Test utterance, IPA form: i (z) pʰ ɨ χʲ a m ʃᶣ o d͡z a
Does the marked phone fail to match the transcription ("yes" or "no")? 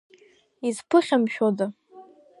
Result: no